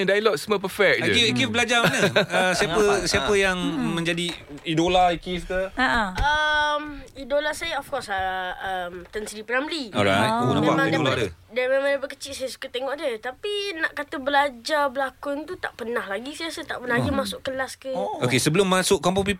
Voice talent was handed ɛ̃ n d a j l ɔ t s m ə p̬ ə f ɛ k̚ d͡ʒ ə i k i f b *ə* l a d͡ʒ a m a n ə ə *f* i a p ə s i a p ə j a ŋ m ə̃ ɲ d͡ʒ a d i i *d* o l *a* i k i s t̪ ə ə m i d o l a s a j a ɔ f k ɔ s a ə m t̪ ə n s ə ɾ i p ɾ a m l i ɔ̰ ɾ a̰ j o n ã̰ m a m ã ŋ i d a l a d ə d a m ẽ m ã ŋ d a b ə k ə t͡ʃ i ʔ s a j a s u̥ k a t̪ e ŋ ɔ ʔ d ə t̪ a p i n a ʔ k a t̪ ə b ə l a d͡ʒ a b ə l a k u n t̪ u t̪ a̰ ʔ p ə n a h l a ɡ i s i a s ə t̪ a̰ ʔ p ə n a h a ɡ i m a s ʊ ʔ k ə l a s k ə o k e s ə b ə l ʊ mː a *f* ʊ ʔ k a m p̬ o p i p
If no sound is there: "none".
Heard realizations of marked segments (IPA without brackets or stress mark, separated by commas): ə, s, d, a, s